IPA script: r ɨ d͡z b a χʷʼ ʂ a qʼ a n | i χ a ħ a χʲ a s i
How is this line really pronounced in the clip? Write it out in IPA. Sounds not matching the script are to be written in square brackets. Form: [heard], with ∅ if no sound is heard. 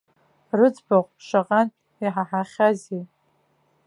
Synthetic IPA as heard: r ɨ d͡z b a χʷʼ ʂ a qʼ a n | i [ħ] a ħ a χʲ a [z] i